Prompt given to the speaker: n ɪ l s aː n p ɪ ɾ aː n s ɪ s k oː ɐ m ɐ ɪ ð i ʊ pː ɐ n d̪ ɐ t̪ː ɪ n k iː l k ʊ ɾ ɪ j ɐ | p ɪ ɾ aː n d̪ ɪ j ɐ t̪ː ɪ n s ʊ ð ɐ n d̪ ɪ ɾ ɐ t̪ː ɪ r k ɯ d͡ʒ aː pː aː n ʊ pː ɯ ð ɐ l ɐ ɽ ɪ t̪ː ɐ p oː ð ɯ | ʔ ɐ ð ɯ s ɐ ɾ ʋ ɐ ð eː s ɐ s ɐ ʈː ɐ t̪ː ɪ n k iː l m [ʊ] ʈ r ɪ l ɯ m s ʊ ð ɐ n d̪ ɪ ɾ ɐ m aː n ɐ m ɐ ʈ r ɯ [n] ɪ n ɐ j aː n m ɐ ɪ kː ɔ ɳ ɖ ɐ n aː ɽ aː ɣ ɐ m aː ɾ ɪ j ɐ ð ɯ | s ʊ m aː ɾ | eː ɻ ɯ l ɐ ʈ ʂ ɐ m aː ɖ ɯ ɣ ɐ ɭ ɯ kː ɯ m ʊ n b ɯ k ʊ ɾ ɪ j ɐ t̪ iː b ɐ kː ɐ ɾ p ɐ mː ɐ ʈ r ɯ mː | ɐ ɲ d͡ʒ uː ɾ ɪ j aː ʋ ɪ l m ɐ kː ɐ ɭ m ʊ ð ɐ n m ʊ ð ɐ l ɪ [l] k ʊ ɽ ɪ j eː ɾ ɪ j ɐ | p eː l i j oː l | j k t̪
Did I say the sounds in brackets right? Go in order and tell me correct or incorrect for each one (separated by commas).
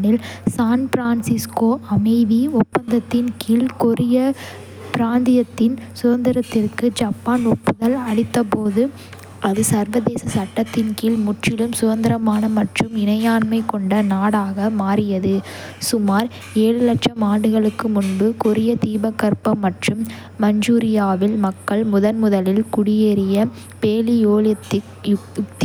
correct, incorrect, correct